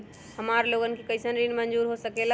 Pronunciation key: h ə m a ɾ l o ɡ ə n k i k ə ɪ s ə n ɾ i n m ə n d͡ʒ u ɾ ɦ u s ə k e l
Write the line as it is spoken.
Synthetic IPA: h ə m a ɾ l o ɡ ə n k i k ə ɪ s ə n ɾ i n m ə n d͡ʒ u ɾ ɦ o s ə k e l